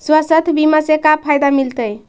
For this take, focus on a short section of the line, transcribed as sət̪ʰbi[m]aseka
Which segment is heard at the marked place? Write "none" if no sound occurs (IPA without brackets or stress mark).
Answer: m